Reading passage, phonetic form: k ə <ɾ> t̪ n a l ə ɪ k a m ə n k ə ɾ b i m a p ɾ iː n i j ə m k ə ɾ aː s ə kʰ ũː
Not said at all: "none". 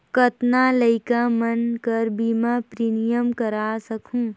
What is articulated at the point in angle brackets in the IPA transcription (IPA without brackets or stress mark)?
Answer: none